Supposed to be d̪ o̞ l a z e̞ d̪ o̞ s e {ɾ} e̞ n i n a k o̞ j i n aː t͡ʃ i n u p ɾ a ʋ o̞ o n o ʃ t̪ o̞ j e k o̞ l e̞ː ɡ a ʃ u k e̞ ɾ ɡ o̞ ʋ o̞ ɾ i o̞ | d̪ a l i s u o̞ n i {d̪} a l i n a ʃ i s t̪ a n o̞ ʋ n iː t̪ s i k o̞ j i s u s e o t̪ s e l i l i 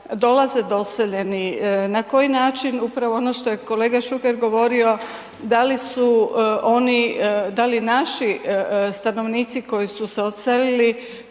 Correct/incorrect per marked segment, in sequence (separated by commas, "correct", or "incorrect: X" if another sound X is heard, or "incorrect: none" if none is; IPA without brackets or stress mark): incorrect: ʎ, correct